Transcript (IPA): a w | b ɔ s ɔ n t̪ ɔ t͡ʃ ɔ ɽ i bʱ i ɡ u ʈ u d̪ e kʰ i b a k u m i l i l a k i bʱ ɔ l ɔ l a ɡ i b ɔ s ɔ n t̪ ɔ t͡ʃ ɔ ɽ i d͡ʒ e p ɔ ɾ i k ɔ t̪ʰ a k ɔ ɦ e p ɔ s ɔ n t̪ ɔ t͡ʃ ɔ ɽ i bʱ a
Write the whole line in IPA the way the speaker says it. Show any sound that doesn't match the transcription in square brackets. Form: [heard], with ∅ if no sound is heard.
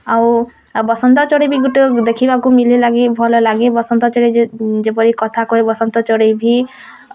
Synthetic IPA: a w | b ɔ s ɔ n t̪ ɔ t͡ʃ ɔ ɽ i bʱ i ɡ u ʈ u d̪ e kʰ i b a k u m i l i l a [ɡ] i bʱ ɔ l ɔ l a ɡ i b ɔ s ɔ n t̪ ɔ t͡ʃ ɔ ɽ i d͡ʒ e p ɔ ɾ i k ɔ t̪ʰ a k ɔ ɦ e [b] ɔ s ɔ n t̪ ɔ t͡ʃ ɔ ɽ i bʱ [i]